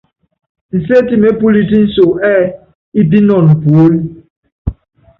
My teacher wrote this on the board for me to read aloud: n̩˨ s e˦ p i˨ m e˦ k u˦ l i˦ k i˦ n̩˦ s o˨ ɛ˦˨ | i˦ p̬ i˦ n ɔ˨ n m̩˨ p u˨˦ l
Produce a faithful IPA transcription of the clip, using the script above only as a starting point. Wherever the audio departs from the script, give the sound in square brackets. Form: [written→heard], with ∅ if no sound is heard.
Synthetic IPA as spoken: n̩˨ s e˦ [p→t] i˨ m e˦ [k→p] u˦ l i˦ [k→t] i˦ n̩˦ s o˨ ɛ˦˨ | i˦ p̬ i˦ n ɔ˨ n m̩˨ p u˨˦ l